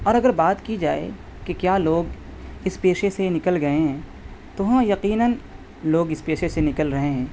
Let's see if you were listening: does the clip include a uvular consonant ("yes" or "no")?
yes